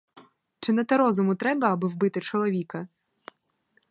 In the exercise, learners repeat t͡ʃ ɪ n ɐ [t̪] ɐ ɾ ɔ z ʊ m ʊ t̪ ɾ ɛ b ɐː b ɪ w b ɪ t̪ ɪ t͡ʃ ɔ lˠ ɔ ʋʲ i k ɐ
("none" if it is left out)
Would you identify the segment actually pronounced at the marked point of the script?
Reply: t̪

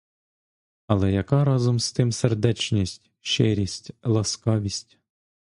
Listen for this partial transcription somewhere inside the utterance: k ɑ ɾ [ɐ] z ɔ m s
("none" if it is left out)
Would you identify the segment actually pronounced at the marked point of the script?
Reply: ɑ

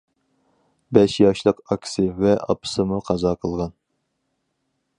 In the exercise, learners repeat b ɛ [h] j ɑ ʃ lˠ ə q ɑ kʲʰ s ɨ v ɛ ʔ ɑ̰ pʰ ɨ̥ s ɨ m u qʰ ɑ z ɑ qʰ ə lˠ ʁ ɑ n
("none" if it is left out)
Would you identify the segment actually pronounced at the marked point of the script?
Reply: ʃ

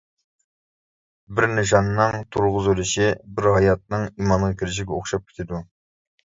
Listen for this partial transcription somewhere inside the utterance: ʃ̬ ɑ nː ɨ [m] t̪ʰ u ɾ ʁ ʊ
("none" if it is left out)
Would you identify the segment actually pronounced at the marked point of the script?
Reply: ŋ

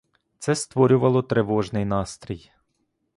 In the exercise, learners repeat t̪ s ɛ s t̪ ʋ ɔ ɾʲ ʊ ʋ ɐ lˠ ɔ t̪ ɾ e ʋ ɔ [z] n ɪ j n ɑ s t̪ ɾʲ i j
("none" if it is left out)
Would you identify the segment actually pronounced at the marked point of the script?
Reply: ʒ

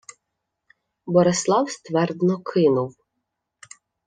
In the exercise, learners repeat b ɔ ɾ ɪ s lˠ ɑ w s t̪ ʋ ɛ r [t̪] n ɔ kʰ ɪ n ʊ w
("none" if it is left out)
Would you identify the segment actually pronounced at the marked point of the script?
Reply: d̪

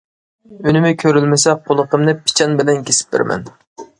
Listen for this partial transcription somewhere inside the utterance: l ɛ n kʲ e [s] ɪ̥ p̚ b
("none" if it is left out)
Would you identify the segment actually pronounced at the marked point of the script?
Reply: s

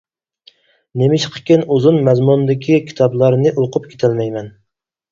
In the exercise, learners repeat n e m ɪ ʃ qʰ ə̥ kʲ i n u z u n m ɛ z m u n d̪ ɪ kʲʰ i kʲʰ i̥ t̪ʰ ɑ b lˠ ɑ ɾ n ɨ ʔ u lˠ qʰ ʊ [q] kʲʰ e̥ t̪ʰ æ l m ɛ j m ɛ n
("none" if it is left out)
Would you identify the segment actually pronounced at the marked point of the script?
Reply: p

